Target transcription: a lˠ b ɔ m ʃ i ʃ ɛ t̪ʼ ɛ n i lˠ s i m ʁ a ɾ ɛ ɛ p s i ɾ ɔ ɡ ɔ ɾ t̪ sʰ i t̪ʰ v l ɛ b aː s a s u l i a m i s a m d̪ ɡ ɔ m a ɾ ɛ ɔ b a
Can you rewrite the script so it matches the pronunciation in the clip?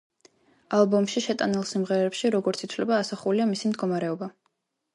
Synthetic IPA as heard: a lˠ b ɔ m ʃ i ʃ ɛ t̪ʼ a n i lˠ s i m ʁ ɛ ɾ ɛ ɛ p ʃ i ɾ ɔ ɡ ɔ ɾ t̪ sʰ i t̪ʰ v l ɛ b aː s a χ u l i a m i s i m d̪ ɡ ɔ m a ɾ ɛ ɔ b a